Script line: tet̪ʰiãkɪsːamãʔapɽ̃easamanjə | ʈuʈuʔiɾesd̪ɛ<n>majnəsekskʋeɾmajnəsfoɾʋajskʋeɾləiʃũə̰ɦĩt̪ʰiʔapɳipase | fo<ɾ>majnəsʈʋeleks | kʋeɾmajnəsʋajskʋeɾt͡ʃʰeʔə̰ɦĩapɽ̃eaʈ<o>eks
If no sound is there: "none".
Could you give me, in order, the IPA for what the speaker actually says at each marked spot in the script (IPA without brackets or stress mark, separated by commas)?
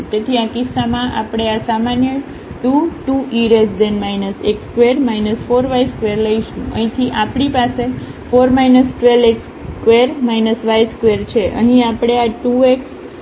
n, ɾ, u